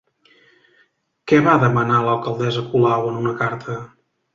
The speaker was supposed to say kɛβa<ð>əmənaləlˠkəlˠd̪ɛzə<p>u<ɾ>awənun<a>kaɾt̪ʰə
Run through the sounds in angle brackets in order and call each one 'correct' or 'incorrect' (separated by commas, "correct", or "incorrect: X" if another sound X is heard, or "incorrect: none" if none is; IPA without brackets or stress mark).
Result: correct, incorrect: k, incorrect: l, incorrect: ə